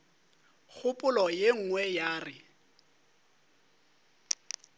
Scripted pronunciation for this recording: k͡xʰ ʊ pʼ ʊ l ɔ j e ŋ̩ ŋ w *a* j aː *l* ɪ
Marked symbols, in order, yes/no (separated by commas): no, no